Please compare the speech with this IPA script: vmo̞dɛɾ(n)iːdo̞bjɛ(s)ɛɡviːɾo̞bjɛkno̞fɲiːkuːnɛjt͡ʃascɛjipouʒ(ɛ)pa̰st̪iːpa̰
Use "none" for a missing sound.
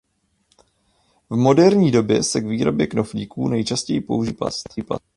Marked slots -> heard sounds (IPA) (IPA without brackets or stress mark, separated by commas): ɲ, s, i